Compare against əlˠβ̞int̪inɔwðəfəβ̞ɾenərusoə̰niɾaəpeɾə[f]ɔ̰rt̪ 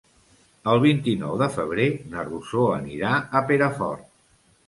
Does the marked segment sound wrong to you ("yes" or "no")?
no